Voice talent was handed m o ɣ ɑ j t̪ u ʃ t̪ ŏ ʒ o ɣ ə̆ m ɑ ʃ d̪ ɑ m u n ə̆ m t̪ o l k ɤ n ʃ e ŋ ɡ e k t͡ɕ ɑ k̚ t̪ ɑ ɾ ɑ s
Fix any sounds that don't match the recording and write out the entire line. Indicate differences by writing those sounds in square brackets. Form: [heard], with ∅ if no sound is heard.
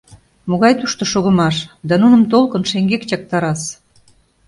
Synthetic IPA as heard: m o ɣ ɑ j t̪ u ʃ t̪ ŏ [ʃ] o ɣ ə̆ m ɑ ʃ d̪ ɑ [n] u n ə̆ m t̪ o l k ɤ n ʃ e ŋ ɡ e k t͡ɕ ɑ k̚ t̪ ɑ ɾ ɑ s